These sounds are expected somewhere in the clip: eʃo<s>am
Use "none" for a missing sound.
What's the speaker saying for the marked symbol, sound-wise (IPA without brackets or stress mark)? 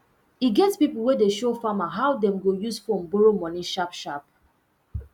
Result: f